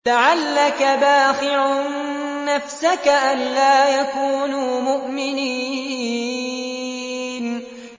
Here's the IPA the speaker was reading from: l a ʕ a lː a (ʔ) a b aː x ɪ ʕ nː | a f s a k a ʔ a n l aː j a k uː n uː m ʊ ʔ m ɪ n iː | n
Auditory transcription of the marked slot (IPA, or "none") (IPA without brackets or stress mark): k